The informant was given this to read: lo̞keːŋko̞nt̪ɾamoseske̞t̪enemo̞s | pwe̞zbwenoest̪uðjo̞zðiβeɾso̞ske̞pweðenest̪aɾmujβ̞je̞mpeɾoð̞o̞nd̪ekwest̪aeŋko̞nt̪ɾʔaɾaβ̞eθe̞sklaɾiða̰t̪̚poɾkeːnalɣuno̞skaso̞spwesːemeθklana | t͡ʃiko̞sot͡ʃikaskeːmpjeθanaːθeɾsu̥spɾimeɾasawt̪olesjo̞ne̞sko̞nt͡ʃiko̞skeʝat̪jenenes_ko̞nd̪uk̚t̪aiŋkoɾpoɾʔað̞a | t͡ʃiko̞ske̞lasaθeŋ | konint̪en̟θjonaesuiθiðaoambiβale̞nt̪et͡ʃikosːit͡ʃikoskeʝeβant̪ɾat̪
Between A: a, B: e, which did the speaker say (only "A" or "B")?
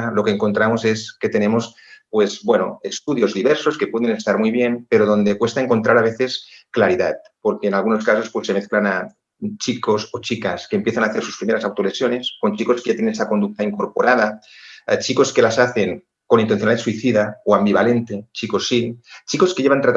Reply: A